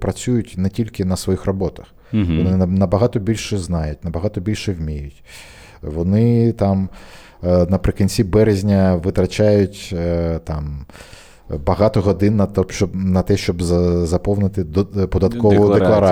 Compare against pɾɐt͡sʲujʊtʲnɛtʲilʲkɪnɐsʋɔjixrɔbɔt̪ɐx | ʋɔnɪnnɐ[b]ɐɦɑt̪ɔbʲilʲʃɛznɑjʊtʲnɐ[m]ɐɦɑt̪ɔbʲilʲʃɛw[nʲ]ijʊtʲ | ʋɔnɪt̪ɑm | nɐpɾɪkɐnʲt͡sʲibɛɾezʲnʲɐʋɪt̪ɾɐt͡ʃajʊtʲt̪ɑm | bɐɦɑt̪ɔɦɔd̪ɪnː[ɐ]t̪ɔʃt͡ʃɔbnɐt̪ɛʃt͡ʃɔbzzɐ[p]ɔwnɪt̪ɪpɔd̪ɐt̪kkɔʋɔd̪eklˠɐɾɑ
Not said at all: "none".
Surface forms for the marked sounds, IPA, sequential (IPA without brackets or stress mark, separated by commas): b, b, mʲ, ɐ, p